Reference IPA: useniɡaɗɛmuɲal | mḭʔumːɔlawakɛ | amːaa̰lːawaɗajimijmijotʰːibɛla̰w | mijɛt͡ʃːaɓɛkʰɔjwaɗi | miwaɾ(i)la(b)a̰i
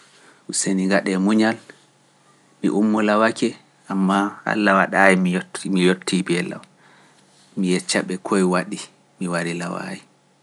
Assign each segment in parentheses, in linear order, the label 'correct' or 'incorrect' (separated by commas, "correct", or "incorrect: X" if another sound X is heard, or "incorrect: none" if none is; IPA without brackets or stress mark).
correct, incorrect: w